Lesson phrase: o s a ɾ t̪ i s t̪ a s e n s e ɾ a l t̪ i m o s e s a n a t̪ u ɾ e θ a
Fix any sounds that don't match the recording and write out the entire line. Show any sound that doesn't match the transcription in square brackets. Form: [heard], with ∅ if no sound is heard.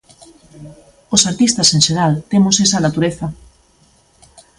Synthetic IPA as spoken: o s a ɾ t̪ i s t̪ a s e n [ʃ] e ɾ a l t̪ [e] m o s e s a n a t̪ u ɾ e θ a